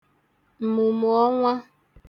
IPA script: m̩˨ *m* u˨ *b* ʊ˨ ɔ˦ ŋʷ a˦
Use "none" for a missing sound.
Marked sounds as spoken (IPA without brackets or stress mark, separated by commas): m, m